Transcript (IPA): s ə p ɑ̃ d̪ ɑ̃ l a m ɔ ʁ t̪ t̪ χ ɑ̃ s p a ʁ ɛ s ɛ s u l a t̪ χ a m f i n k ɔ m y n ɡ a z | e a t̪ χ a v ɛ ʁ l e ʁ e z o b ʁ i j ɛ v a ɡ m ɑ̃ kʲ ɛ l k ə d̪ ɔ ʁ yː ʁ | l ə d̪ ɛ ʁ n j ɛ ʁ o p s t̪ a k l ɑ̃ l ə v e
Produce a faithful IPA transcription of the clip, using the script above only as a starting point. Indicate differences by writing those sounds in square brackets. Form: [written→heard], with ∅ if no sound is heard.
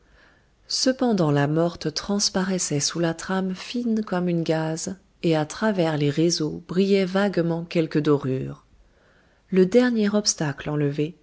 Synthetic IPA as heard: s ə p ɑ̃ d̪ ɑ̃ l a m ɔ ʁ t̪ t̪ χ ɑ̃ s p a ʁ ɛ s ɛ s u l a t̪ χ a m f i n k ɔ m y n ɡ a z | e a t̪ χ a v ɛ ʁ l e ʁ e z o b ʁ i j ɛ v a ɡ m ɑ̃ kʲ ɛ l k ə d̪ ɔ ʁ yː ʁ | l ə d̪ ɛ ʁ n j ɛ ʁ [o→ɔ] p s t̪ a k l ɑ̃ l ə v e